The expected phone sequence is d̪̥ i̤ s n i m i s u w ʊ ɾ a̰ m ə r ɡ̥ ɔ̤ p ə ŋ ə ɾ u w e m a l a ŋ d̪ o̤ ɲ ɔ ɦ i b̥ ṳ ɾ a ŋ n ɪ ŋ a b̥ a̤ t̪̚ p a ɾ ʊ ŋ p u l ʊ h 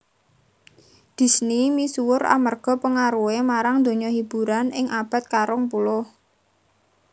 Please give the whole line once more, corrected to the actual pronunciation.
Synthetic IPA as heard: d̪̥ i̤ s n i m i s u w ʊ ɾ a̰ m ə r ɡ̥ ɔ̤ p ə ŋ a ɾ u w e m a ɾ a ŋ d̪ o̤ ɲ ɔ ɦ i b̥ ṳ ɾ a n ɪ ŋ a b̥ a̤ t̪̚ k a ɾ ʊ ŋ p u l ʊ h